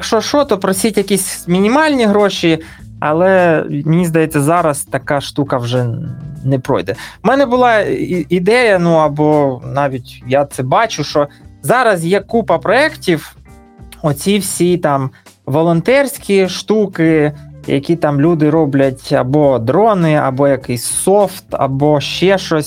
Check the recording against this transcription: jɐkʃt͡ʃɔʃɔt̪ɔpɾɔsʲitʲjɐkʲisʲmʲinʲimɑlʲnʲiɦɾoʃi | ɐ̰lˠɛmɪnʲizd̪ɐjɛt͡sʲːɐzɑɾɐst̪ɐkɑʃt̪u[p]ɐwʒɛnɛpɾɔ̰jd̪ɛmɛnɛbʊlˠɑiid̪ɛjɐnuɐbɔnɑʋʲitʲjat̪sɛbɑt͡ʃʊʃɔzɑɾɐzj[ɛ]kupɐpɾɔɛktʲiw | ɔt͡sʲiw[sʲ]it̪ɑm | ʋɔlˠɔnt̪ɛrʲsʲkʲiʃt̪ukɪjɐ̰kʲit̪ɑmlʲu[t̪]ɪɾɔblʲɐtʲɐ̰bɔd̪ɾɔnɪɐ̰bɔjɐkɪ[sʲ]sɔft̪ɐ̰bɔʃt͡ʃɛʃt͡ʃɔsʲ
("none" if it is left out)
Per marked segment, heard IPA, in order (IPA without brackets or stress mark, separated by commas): k, ɛ, sʲ, d̪, sʲ